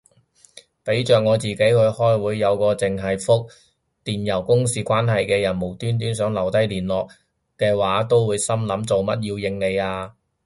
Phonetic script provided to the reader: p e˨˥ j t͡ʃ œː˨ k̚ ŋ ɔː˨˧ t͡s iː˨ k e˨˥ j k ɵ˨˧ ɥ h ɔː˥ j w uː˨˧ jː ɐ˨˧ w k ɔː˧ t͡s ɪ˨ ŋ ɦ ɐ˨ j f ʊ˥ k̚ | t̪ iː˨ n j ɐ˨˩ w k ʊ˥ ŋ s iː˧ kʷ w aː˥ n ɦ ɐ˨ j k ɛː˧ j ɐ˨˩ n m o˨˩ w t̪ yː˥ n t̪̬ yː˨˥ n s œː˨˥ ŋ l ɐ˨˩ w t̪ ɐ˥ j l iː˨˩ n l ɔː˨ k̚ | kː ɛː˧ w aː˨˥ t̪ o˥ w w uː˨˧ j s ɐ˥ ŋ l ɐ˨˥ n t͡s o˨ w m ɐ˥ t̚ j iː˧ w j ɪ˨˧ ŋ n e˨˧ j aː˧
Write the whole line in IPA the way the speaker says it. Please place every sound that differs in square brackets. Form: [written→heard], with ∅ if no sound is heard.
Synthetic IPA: p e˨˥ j t͡ʃ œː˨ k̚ ŋ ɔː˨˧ t͡s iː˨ k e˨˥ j k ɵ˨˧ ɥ h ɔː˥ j w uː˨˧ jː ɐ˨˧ w k ɔː˧ t͡s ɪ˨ ŋ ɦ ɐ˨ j f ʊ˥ k̚ | t̪ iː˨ n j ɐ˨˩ w k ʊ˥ ŋ s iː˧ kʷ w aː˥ n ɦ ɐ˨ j k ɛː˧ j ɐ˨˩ n m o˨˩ w t̪ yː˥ n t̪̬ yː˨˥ n s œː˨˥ ŋ l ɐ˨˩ w t̪ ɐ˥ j l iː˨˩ n l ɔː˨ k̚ | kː ɛː˧ w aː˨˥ t̪ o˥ w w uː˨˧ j s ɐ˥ [ŋ→m] l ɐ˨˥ [n→m] t͡s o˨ w m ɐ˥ t̚ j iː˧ w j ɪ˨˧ ŋ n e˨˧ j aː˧

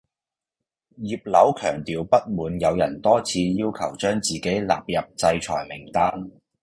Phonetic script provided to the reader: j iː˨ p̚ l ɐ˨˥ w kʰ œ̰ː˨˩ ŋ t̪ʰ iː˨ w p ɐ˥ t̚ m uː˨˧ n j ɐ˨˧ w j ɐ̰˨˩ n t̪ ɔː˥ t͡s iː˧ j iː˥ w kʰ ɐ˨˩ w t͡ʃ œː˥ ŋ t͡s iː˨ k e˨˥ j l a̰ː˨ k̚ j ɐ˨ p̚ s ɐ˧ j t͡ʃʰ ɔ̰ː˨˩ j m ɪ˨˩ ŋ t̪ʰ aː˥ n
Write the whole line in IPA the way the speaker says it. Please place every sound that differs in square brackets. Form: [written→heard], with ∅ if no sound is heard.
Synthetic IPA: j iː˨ p̚ l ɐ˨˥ w kʰ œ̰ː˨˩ ŋ [t̪ʰ→t̪] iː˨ w p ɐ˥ t̚ m uː˨˧ n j ɐ˨˧ w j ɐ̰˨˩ n t̪ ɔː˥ [t͡s→t͡sʰ] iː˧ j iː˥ w kʰ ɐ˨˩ w t͡ʃ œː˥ ŋ t͡s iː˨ k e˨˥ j l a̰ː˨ [k̚→p̚] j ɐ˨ p̚ [s→t͡s] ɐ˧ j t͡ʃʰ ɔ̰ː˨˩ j m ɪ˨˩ ŋ [t̪ʰ→t̪] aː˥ n

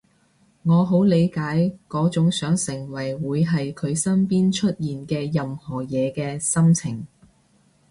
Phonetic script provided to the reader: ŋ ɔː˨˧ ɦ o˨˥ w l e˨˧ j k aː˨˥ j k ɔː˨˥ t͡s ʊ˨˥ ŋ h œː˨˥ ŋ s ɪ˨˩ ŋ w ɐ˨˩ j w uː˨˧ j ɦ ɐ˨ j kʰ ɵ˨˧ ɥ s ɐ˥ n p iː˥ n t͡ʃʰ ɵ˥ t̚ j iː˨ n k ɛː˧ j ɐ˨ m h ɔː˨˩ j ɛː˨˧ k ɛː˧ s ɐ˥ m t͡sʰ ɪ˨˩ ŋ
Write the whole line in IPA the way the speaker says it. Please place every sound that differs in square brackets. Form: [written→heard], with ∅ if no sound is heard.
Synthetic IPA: ŋ ɔː˨˧ ɦ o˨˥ w l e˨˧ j k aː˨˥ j k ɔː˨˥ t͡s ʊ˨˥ ŋ [h→s] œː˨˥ ŋ s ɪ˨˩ ŋ w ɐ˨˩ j w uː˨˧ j ɦ ɐ˨ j kʰ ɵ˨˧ ɥ s ɐ˥ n p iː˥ n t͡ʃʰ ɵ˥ t̚ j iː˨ n k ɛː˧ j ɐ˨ m h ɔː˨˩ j ɛː˨˧ k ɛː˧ s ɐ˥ m t͡sʰ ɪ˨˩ ŋ

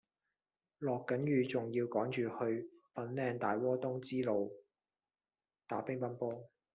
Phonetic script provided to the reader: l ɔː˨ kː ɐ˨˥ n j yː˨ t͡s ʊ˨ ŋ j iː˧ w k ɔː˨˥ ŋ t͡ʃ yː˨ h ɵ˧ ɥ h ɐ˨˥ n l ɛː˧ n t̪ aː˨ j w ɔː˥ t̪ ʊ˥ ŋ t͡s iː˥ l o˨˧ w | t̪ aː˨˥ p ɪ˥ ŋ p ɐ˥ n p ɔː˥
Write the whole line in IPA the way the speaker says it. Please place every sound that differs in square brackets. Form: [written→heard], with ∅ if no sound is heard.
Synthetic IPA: l ɔː˨ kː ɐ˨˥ n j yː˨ t͡s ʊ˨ ŋ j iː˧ w k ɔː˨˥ ŋ t͡ʃ yː˨ h ɵ˧ ɥ [h→f] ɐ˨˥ n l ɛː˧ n t̪ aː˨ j w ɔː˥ t̪ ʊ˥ ŋ t͡s iː˥ l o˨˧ w | t̪ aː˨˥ p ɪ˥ ŋ p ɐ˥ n p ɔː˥

